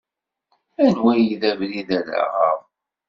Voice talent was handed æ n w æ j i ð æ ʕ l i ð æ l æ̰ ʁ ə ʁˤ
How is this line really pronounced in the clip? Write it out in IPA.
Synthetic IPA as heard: æ n w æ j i ð æ v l i ð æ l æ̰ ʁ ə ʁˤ